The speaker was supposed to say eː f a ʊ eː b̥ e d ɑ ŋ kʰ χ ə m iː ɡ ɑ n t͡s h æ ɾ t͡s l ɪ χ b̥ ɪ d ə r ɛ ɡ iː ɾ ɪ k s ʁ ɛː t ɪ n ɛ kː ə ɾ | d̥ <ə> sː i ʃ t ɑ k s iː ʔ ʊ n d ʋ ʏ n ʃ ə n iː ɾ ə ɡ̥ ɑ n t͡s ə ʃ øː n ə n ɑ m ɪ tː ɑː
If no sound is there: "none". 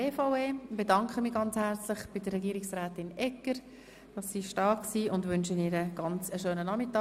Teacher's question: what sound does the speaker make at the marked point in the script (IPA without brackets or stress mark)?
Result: ɑ